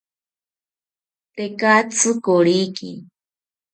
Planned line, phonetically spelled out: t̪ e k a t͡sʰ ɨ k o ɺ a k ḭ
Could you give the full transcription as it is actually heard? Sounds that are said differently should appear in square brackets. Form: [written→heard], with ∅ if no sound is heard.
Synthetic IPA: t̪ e k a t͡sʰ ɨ k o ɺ [a→i] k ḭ